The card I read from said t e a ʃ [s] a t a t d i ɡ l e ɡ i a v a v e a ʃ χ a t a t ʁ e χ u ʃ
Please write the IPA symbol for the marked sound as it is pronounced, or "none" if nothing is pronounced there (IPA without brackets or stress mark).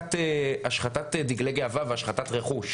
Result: χ